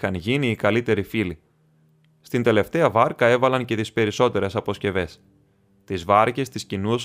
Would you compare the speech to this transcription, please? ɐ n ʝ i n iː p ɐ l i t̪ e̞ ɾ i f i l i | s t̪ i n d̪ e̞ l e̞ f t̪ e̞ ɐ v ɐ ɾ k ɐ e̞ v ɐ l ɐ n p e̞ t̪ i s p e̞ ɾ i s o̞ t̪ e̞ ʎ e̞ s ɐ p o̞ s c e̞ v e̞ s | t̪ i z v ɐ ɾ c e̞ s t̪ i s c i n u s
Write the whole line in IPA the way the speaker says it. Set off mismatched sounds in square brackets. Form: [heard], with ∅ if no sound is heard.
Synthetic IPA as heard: ɐ n ʝ i n iː [k] ɐ l i t̪ e̞ ɾ i f i l i | s t̪ i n d̪ e̞ l e̞ f t̪ e̞ ɐ v ɐ ɾ k ɐ e̞ v ɐ l ɐ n [c] e̞ t̪ i s p e̞ ɾ i s o̞ t̪ e̞ [ɾ] e̞ s ɐ p o̞ s c e̞ v e̞ s | t̪ i z v ɐ ɾ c e̞ s t̪ i s c i n u s